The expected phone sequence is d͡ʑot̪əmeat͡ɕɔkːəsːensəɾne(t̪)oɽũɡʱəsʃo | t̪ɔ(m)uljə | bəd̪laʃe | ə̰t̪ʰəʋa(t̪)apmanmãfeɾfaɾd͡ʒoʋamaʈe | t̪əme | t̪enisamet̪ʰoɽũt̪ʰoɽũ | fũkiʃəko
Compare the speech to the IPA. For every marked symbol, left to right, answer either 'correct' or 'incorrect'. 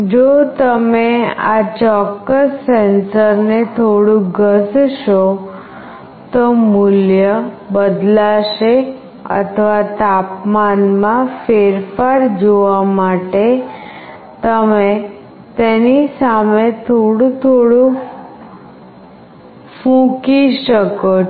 incorrect: t̪ʰ, correct, correct

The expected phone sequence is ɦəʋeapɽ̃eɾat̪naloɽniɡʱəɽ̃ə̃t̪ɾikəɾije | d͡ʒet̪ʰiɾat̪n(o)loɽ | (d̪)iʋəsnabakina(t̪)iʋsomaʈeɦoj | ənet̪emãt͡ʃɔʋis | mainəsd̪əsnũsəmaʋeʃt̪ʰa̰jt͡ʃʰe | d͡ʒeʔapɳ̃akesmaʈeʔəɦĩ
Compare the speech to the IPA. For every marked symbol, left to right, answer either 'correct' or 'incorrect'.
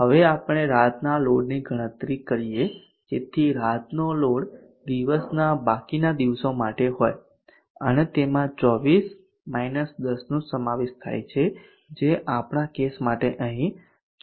correct, correct, incorrect: d̪

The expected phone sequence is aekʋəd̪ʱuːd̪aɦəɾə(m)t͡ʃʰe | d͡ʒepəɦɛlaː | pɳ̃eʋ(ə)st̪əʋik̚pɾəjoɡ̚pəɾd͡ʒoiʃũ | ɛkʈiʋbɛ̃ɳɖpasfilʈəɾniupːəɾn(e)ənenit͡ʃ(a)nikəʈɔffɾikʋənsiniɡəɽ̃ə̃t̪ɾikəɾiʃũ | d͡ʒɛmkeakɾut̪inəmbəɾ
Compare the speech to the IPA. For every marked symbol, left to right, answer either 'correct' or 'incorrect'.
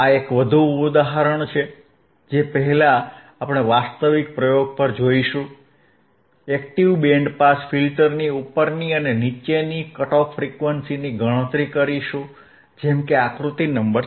incorrect: ɳ, incorrect: a, incorrect: i, incorrect: e

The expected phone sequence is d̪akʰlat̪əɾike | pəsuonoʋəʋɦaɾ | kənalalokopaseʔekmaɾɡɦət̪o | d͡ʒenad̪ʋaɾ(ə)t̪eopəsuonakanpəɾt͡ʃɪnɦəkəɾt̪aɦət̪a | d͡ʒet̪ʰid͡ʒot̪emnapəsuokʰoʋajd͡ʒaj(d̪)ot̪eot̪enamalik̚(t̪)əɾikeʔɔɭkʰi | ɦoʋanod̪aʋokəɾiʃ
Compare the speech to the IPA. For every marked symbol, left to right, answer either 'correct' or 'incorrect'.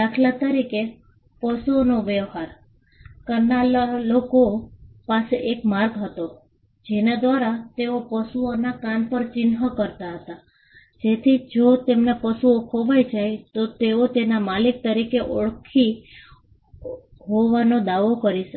incorrect: a, incorrect: t̪, correct

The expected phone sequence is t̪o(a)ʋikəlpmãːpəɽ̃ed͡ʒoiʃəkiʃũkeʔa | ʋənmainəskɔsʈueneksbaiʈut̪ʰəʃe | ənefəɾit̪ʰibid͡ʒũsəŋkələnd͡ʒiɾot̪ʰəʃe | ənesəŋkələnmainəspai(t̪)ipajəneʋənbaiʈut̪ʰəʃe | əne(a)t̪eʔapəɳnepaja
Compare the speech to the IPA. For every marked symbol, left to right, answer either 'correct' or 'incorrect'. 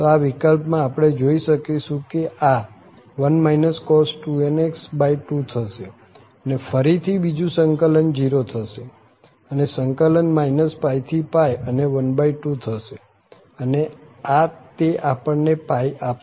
correct, incorrect: t̪ʰ, correct

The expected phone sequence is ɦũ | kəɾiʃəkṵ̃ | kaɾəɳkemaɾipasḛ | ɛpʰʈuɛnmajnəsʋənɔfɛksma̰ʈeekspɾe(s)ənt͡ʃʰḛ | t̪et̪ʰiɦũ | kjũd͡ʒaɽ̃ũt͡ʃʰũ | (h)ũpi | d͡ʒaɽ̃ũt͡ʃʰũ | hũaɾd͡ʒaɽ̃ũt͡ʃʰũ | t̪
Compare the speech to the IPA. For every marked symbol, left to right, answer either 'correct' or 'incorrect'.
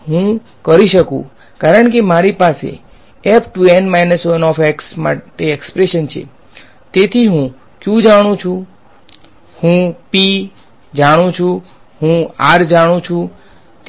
incorrect: ʃ, correct

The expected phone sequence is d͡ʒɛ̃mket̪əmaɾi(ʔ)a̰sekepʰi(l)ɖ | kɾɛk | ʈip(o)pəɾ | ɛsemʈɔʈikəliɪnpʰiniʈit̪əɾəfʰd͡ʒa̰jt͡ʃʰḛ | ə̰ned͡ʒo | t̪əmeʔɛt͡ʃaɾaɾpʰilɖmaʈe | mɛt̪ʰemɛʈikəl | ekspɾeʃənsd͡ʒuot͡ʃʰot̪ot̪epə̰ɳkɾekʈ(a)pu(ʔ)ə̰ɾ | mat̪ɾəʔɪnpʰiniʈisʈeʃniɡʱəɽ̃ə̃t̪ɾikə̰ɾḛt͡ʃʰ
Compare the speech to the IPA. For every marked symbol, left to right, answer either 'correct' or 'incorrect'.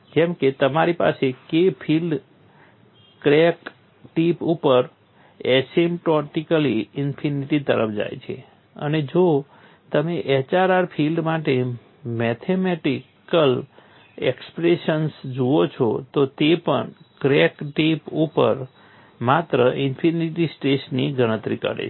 incorrect: p, correct, incorrect: u, incorrect: i, incorrect: p

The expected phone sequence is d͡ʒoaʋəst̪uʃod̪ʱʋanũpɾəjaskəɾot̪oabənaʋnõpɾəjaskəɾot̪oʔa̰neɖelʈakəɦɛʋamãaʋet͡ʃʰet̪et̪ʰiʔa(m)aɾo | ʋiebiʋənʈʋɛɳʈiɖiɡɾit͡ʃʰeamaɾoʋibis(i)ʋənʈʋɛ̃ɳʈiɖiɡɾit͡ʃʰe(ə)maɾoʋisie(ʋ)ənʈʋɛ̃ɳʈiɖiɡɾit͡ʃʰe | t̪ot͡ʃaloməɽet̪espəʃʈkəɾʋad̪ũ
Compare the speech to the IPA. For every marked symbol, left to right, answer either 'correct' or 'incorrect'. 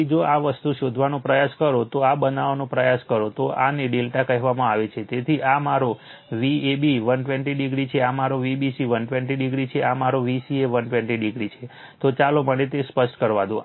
correct, correct, incorrect: a, correct

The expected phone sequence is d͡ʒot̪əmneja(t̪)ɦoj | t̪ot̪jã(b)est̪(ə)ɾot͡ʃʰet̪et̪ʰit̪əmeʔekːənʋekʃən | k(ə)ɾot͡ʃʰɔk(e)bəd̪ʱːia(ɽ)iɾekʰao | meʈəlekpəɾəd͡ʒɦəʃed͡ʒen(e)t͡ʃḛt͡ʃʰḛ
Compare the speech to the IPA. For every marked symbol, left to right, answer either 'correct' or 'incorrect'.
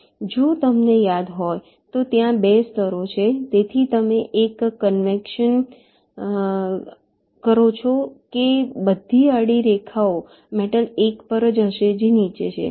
incorrect: d̪, correct, correct, correct, correct, correct, incorrect: i

